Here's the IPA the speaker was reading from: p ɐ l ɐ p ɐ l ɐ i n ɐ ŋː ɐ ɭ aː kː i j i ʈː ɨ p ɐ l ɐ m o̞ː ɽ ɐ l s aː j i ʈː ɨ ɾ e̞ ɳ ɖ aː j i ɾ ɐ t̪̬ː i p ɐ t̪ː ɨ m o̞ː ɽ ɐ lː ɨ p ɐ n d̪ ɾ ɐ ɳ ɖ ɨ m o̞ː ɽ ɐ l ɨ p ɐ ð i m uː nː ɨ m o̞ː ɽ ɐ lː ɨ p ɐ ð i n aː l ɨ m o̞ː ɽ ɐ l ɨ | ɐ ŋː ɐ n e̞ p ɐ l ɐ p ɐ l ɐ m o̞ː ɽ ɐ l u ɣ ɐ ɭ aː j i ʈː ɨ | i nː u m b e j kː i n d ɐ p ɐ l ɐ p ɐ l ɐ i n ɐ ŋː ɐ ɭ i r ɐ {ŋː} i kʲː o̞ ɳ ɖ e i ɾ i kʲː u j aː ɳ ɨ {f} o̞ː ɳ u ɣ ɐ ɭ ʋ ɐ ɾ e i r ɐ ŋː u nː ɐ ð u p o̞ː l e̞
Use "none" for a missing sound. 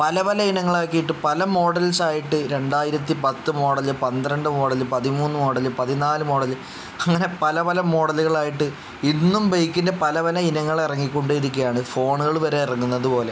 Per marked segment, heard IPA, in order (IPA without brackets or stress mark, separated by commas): ŋː, f